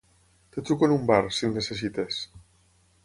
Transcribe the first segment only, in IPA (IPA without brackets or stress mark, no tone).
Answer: t̪